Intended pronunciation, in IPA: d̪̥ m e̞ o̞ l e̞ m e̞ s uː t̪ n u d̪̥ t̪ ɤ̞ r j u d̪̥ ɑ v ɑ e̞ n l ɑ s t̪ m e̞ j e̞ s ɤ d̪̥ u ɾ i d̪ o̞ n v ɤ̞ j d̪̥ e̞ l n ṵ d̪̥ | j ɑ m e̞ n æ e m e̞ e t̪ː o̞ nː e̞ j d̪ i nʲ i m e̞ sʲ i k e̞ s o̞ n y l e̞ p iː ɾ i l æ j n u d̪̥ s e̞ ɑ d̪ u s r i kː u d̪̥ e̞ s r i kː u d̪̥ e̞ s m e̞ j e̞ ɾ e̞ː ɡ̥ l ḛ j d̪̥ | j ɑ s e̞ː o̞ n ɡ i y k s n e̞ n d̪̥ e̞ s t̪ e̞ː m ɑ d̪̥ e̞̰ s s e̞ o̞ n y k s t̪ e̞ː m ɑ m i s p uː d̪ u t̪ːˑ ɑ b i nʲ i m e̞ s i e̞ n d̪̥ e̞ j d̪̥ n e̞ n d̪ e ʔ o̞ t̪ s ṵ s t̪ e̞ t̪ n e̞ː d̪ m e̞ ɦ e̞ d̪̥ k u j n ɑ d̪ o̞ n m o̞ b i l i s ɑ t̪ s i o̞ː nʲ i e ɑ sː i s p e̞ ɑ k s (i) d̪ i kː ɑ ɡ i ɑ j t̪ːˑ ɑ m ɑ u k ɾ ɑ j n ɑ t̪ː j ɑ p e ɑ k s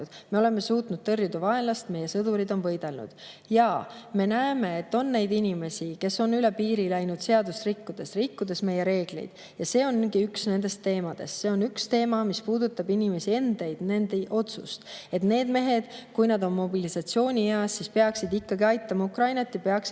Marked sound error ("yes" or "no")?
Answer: no